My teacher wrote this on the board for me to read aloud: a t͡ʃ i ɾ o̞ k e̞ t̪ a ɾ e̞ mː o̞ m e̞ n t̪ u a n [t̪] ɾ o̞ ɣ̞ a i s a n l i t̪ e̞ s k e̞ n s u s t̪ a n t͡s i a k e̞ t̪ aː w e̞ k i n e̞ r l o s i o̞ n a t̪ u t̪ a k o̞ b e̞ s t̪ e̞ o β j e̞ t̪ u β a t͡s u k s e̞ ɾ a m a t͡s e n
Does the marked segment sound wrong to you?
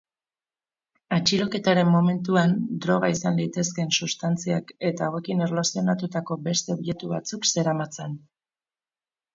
yes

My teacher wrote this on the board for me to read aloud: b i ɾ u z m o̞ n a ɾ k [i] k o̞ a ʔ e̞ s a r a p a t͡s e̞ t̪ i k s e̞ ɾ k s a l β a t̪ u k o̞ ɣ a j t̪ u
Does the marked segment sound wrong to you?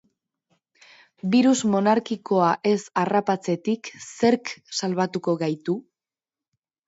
no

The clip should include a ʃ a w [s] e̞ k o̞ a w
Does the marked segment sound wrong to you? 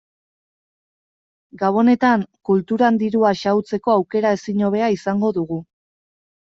yes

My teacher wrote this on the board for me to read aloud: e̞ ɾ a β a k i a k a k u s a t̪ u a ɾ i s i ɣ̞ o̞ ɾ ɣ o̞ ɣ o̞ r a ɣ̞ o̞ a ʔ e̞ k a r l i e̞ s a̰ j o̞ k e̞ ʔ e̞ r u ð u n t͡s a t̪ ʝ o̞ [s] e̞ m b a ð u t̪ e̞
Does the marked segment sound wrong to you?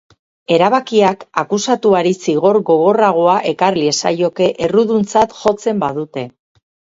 yes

